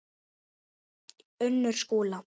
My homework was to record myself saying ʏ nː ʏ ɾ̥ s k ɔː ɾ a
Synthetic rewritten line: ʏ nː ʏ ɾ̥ s k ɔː l a